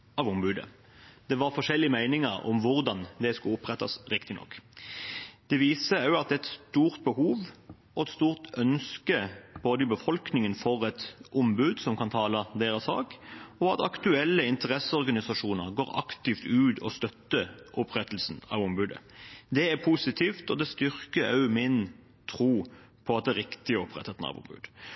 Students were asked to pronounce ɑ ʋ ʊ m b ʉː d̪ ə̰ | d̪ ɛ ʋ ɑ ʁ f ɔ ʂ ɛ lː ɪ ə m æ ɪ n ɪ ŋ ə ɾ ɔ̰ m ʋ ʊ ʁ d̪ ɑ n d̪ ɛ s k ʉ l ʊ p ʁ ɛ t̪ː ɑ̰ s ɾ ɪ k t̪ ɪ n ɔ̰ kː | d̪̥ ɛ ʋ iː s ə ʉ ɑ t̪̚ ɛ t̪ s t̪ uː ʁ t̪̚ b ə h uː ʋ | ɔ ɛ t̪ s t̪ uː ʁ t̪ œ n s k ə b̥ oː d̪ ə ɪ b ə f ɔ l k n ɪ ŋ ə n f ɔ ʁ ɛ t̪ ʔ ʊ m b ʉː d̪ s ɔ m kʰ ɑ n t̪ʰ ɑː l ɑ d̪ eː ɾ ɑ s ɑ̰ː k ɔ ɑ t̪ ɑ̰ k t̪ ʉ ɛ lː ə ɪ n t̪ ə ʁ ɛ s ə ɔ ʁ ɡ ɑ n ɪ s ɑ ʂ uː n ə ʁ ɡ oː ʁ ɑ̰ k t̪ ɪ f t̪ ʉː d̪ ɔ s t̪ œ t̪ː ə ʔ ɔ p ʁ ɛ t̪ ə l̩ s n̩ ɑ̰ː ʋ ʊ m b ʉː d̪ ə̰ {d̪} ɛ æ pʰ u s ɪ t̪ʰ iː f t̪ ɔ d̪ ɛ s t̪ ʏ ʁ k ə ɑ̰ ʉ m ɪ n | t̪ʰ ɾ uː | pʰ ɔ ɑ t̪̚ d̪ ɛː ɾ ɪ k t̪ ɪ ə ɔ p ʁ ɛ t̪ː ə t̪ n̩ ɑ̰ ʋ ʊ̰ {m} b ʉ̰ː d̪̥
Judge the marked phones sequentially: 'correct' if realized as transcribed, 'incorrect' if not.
correct, correct

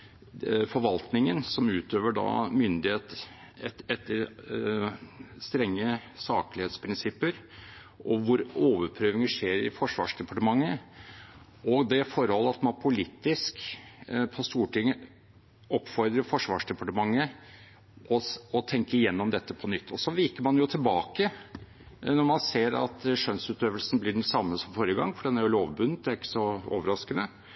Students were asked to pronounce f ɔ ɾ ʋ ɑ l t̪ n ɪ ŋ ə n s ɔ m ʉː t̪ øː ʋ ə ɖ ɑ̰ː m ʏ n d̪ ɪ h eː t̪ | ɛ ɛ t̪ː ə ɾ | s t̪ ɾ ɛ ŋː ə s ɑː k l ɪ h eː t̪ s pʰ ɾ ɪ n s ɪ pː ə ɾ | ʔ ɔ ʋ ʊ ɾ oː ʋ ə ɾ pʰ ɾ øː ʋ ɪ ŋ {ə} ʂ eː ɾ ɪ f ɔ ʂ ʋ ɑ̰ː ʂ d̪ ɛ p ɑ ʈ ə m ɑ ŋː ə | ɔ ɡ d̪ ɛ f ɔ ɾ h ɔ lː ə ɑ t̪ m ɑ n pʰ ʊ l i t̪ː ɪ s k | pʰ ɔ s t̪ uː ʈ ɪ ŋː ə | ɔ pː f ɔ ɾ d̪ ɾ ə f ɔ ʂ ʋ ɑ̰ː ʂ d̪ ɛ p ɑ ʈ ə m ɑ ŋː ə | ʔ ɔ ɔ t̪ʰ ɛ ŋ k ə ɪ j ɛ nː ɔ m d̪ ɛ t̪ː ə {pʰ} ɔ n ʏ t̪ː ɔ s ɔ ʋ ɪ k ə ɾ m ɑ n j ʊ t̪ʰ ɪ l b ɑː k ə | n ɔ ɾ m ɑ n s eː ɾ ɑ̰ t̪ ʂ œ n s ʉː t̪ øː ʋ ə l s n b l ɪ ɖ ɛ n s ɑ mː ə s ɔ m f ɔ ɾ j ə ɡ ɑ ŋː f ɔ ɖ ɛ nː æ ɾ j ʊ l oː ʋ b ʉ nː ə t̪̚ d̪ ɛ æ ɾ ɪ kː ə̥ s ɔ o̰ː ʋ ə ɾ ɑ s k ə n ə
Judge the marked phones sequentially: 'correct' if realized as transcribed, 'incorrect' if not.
correct, correct

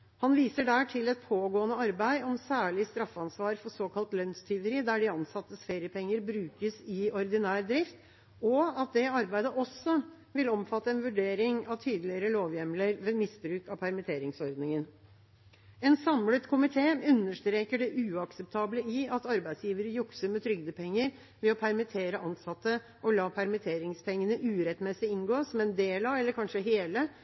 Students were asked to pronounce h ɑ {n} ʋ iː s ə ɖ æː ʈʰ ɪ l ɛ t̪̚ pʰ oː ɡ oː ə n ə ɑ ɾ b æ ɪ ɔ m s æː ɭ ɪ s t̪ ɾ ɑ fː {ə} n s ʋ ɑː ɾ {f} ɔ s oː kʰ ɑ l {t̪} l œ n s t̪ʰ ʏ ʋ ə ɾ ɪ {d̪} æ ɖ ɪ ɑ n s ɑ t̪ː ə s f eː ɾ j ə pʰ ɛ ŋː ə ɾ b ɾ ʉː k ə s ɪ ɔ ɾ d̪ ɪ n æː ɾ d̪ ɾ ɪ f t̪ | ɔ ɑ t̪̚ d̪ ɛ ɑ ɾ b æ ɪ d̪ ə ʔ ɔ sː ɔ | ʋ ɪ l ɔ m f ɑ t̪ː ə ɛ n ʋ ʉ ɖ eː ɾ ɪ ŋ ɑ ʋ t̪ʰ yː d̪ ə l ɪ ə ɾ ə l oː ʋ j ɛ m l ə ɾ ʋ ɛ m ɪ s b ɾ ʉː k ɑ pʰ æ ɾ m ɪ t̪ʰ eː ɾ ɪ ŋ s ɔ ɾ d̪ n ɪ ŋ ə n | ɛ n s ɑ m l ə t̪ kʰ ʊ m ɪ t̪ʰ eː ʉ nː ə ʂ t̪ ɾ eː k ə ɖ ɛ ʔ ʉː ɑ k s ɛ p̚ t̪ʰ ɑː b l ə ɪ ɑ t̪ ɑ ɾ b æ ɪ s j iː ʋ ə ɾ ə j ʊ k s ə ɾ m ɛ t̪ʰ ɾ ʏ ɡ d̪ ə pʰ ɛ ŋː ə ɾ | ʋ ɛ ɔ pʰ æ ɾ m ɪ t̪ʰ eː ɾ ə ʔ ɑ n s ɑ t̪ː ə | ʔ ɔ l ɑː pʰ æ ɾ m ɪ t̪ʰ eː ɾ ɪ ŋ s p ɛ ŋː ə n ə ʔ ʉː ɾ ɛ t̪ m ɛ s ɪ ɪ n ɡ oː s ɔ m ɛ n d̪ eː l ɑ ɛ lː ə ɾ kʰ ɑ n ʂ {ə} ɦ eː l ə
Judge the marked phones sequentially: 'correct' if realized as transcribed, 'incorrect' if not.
correct, incorrect: ɑ, correct, correct, correct, correct

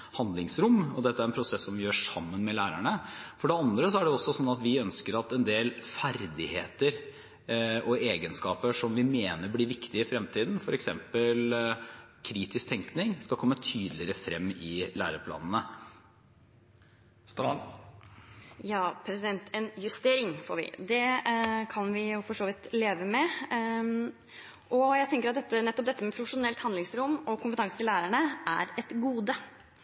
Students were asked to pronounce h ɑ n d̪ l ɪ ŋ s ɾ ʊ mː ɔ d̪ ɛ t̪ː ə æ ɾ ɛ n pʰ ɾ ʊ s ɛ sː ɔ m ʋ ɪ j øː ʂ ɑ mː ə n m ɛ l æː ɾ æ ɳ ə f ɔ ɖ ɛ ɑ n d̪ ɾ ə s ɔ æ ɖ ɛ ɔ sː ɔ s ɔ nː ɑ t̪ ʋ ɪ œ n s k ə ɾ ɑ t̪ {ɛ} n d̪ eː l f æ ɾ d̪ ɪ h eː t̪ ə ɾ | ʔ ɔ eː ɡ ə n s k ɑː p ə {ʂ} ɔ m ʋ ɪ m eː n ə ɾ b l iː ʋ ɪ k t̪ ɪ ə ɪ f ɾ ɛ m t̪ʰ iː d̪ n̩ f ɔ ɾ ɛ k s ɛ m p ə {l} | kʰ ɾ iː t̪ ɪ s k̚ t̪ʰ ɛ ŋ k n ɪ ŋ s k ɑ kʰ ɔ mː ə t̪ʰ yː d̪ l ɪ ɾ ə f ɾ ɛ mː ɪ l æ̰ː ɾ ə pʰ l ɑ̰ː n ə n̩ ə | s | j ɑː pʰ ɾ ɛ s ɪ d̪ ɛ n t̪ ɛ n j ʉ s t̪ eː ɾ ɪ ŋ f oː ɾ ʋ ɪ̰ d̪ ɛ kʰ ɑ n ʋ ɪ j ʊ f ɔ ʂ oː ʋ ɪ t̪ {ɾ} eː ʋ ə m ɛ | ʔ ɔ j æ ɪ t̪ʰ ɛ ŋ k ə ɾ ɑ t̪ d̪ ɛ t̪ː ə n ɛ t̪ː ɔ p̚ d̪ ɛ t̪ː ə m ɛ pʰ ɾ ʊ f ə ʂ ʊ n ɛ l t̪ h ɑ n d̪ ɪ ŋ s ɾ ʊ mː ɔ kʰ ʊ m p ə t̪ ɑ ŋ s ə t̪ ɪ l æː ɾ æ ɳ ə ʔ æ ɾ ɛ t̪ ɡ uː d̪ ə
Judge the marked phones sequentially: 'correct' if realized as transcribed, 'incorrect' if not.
correct, correct, correct, incorrect: l

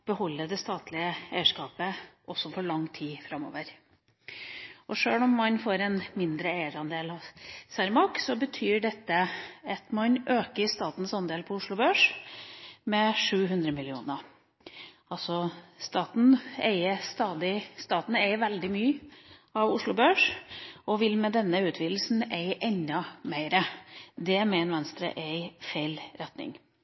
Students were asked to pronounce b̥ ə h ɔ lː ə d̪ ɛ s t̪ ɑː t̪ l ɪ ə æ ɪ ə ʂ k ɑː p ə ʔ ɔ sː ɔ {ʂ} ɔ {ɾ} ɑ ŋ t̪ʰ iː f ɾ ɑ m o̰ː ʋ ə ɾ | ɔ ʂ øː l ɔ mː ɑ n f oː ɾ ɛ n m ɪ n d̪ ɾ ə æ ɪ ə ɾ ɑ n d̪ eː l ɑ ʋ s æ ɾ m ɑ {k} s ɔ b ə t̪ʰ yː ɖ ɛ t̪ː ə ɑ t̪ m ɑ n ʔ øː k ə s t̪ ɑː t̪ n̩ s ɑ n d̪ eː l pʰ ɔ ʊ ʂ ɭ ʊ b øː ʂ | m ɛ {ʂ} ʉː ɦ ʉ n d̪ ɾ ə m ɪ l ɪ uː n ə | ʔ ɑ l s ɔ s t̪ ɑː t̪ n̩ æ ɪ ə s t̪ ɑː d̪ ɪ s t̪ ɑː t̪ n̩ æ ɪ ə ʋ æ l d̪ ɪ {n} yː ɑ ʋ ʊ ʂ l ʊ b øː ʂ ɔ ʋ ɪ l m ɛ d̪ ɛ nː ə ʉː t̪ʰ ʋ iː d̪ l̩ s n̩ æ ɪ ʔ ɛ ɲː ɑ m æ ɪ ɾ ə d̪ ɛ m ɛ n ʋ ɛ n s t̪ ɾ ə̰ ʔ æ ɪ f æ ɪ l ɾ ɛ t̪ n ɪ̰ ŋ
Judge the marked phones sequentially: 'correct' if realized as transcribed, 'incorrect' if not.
incorrect: f, incorrect: ɭ, correct, correct, incorrect: m

